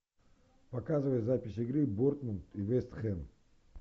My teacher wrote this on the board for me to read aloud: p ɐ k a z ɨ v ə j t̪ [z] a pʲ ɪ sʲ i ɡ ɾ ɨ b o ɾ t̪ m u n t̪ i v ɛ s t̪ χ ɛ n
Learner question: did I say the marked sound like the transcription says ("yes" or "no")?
yes